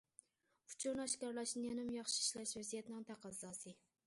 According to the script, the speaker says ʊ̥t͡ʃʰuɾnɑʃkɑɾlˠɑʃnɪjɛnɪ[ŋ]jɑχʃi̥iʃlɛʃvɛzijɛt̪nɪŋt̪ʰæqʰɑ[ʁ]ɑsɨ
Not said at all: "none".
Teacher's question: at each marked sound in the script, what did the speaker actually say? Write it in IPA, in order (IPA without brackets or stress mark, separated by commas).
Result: m, z